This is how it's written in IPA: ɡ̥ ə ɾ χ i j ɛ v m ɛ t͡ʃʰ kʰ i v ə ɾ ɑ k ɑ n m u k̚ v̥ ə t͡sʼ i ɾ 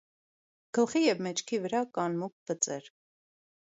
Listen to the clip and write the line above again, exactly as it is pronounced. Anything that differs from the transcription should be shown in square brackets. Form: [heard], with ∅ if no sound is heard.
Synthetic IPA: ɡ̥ ə [l] χ i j ɛ v m ɛ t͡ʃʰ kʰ i v ə ɾ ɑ k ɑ n m u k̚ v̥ ə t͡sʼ [ɛ] ɾ